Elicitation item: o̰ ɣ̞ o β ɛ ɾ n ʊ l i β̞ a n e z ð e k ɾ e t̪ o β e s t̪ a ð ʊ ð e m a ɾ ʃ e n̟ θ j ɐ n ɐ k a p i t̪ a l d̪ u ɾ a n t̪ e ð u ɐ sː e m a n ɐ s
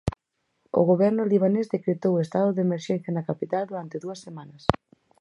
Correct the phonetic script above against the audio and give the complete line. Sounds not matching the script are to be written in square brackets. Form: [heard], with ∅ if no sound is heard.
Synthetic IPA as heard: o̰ ɣ̞ o β ɛ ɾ n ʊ l i β̞ a n e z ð e k ɾ e t̪ o [w] e s t̪ a ð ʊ ð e m [e] ɾ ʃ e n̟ θ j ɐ n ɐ k a p i t̪ a l d̪ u ɾ a n t̪ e ð u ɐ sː e m a n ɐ s

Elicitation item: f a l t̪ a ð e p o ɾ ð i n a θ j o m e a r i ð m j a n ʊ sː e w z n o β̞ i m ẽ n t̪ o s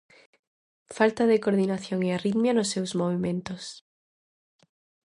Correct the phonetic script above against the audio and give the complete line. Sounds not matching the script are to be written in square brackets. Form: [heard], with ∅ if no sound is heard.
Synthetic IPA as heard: f a l t̪ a ð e [k] o ɾ ð i n a θ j o [ŋ] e a r i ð m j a n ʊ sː e w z [m] o β̞ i m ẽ n t̪ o s

